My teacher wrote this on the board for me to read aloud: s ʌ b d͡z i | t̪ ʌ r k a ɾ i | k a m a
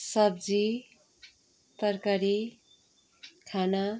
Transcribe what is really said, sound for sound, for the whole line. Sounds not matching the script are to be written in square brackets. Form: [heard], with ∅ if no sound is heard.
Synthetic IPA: s ʌ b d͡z i | t̪ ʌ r k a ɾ i | [kʰ] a [n] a